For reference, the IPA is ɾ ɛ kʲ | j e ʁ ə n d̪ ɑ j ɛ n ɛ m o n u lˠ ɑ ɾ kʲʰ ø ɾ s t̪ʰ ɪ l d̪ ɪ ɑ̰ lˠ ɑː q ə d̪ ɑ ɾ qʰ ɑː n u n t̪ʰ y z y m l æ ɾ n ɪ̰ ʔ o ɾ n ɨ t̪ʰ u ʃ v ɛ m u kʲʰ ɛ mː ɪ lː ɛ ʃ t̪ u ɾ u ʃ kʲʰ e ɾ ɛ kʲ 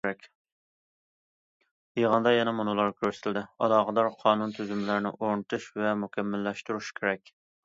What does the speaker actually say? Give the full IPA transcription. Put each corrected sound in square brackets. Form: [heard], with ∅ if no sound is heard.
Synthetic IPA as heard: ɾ ɛ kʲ | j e ʁ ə n d̪ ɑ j ɛ n ɛ m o n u lˠ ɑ ɾ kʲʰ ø ɾ s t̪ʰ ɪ l d̪ ɪ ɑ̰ lˠ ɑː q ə d̪ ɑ ɾ qʰ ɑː n u n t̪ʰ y z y m l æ ɾ n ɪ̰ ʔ o ɾ n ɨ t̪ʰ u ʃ v ɛ m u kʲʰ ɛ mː ɪ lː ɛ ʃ t̪ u ɾ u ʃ kʲʰ e ɾ ɛ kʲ